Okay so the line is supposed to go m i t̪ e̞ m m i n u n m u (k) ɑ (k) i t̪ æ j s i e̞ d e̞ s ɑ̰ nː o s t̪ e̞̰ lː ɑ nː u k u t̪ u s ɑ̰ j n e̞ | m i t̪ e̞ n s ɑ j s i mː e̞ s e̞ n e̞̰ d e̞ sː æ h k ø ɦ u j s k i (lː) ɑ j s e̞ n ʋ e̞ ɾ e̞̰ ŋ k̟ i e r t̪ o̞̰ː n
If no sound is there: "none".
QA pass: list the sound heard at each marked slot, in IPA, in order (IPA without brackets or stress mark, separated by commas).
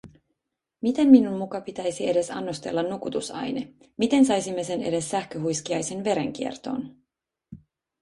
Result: k, p, none